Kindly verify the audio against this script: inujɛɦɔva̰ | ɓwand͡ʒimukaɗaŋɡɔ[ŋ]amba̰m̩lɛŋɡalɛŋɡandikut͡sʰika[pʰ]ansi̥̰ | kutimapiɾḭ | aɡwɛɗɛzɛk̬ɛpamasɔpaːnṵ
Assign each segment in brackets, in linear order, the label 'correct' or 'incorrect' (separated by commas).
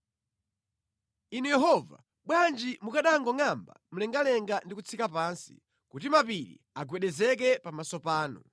correct, incorrect